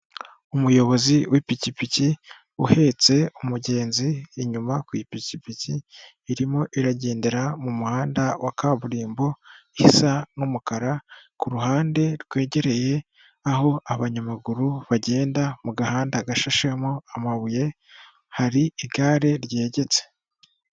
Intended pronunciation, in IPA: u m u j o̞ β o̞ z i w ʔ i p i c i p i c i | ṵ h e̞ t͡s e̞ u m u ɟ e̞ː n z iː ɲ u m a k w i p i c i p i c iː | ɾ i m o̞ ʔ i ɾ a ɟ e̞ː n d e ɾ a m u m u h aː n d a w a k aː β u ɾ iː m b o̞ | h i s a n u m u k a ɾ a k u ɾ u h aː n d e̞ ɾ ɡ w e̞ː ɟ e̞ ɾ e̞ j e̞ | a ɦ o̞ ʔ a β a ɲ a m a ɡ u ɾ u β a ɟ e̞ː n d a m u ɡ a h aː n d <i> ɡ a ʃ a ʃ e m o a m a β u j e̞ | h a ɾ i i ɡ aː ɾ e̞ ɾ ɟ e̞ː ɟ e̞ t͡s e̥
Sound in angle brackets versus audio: incorrect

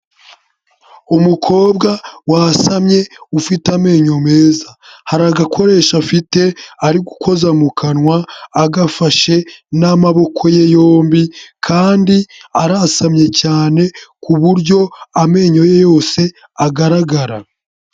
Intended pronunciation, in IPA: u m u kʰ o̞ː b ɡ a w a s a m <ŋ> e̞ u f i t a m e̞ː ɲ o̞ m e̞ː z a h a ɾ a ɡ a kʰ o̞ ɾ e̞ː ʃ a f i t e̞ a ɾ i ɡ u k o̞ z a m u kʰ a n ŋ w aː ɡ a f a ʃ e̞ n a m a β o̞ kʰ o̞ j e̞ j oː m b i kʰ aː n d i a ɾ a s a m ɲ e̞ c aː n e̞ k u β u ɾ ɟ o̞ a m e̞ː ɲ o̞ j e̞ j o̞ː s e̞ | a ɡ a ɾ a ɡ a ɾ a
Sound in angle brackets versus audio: incorrect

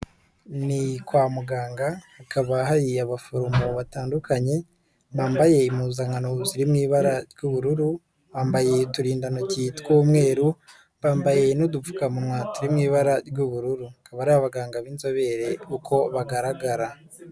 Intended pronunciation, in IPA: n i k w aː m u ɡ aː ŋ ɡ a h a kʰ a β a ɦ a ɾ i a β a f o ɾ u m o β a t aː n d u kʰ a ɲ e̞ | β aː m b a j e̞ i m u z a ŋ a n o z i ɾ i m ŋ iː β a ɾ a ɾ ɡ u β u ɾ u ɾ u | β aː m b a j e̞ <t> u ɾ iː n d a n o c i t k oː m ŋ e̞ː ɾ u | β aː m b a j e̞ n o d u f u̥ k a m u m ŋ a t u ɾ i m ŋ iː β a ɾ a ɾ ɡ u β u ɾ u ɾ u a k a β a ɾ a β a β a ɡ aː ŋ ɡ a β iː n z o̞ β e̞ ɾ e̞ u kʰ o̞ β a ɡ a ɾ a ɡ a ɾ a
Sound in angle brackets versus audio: correct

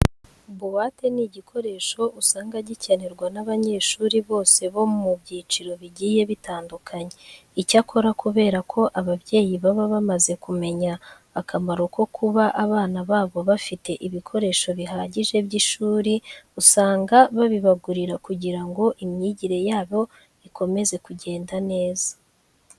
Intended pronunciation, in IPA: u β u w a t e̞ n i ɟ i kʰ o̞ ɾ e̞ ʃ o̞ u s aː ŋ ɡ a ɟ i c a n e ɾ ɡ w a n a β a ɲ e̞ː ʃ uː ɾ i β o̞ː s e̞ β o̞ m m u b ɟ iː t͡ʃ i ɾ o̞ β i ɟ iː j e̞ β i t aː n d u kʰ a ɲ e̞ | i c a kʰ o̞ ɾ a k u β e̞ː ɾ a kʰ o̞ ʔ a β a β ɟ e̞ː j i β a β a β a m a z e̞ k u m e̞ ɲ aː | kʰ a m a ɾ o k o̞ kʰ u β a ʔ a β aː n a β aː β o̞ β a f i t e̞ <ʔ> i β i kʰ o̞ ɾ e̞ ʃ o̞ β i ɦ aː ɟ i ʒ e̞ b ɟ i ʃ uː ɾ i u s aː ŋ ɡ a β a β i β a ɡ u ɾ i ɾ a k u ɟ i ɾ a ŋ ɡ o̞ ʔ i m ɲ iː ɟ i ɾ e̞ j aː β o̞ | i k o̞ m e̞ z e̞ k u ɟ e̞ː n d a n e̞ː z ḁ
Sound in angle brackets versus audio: correct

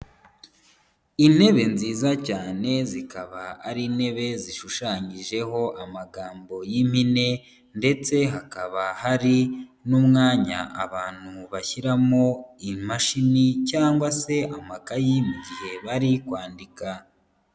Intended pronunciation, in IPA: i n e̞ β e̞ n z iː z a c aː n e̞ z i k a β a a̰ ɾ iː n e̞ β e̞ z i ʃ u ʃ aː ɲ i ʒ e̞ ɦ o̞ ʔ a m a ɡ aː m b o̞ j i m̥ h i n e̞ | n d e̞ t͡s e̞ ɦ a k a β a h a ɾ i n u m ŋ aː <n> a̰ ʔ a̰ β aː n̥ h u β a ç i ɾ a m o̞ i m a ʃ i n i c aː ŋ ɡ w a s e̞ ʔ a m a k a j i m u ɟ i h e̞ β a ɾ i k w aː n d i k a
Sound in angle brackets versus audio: incorrect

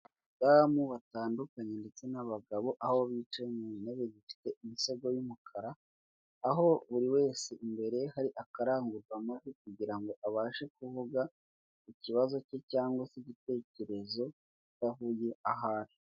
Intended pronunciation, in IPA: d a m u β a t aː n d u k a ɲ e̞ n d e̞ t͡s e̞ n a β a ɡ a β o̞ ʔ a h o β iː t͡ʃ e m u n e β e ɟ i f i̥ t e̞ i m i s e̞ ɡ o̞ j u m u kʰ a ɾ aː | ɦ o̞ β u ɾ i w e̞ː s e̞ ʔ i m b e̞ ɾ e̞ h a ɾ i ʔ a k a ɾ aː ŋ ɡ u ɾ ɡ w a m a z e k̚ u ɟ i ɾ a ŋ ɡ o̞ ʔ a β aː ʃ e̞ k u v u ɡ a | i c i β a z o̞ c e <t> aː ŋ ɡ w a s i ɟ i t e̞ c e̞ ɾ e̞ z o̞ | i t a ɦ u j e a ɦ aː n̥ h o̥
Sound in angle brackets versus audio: incorrect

